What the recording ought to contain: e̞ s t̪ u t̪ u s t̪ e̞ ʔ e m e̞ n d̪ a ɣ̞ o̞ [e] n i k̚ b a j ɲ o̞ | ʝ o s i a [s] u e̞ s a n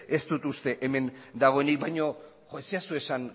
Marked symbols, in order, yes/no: yes, yes

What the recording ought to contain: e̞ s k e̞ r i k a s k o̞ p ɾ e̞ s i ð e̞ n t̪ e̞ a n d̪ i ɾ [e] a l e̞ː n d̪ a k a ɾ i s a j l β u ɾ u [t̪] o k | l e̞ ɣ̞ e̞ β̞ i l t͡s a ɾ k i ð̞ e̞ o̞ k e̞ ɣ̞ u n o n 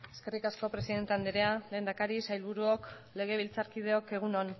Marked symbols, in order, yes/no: yes, no

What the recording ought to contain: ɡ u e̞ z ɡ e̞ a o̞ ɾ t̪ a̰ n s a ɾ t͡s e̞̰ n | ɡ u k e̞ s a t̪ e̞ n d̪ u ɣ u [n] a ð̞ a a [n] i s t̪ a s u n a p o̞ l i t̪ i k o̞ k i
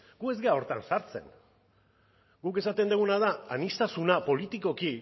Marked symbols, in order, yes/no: yes, yes

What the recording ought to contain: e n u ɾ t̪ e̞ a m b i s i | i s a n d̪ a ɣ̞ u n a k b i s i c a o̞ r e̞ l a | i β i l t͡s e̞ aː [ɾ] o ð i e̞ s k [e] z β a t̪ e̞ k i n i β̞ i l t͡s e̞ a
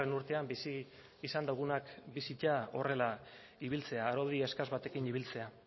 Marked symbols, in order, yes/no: yes, no

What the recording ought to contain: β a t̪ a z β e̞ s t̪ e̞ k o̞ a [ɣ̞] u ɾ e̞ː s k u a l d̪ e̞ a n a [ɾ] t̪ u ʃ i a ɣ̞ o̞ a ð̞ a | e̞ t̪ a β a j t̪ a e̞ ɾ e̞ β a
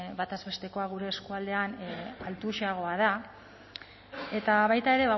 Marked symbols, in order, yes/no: yes, no

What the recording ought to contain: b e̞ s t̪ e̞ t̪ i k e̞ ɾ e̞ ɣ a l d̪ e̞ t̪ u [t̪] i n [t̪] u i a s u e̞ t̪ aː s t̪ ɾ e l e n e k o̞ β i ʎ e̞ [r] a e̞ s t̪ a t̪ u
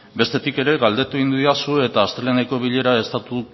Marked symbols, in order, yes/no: no, no, no

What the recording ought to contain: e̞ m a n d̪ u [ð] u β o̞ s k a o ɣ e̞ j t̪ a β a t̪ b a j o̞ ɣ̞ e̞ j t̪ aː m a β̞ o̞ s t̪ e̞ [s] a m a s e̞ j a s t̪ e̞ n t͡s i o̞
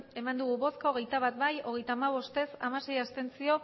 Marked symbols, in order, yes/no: no, yes

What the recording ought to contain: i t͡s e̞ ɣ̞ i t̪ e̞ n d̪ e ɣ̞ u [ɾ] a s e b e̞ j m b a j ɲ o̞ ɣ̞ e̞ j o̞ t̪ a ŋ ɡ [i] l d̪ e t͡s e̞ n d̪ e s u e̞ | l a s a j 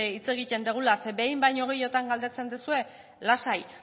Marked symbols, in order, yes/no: no, no

